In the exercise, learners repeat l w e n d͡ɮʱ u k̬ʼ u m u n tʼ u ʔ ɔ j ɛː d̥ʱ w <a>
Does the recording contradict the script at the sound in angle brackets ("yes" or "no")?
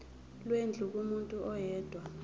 no